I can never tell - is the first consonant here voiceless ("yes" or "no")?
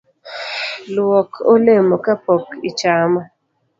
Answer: no